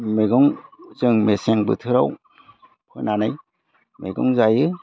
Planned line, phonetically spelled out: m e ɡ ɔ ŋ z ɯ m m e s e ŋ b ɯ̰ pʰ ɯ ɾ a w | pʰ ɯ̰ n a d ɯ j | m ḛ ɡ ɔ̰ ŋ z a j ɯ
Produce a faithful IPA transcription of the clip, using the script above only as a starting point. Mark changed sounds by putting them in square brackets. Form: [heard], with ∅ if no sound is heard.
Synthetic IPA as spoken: m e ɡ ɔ ŋ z ɯ [ŋ] m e s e ŋ b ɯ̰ [tʰ] ɯ ɾ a w | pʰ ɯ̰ n a [n] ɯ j | m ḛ ɡ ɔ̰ ŋ z a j ɯ